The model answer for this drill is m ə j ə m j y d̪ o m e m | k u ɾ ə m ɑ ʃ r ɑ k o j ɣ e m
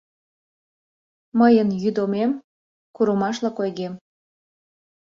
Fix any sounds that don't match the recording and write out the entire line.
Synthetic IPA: m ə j ə n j y d̪ o m e m | k u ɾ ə m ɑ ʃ l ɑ k o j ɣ e m